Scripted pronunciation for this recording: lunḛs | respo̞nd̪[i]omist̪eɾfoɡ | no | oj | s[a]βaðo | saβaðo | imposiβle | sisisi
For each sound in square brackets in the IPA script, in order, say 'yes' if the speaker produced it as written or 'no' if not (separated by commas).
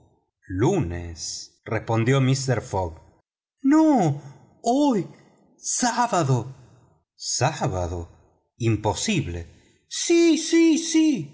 no, yes